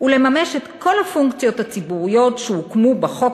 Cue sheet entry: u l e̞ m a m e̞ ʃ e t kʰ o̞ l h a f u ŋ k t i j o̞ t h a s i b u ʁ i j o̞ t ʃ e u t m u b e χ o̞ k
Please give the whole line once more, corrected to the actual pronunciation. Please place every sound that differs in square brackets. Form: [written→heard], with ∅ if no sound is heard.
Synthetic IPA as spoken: u l e̞ m a m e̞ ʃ e t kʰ o̞ l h a f u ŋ k [t→t͡s] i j o̞ t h a [s→t͡s] i b u ʁ i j o̞ t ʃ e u [t→k] m u b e χ o̞ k